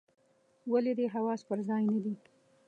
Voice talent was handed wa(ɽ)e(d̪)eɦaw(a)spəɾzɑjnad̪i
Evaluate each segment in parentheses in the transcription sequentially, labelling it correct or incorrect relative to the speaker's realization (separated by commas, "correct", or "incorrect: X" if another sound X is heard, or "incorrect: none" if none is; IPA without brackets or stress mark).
incorrect: l, correct, incorrect: ɑ